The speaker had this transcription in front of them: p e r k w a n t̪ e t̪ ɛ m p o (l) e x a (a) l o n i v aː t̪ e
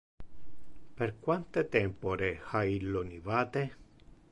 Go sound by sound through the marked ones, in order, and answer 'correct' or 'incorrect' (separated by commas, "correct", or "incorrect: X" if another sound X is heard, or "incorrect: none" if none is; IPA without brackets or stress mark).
incorrect: ɾ, incorrect: i